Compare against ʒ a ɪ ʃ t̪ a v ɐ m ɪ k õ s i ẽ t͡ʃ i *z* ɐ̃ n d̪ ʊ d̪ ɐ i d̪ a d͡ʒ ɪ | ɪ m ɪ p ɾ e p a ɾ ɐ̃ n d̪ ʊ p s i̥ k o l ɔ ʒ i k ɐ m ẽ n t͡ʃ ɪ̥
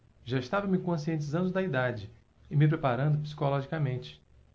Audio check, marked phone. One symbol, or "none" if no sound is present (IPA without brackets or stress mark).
z